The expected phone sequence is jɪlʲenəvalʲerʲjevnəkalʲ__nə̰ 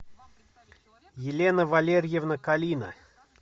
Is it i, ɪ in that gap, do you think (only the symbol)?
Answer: i